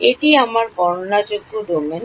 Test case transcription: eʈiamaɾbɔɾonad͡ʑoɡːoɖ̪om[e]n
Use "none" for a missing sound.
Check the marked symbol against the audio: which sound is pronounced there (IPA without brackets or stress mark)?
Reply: e